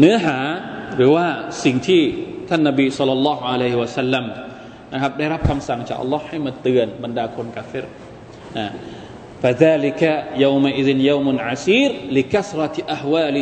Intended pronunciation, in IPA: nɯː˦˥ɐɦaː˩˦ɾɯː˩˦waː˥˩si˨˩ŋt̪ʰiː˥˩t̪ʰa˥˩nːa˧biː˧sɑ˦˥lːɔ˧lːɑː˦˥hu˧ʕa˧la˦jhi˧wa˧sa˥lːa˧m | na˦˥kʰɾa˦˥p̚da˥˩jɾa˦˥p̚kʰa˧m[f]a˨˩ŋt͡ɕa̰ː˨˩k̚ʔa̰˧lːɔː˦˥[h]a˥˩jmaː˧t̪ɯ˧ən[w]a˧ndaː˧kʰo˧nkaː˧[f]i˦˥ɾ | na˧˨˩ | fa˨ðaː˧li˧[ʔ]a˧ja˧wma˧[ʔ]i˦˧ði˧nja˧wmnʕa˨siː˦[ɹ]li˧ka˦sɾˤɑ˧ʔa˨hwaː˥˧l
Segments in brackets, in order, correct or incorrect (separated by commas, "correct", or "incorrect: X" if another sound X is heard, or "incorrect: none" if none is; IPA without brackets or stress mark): incorrect: s, correct, incorrect: b, correct, incorrect: k, correct, incorrect: ɾ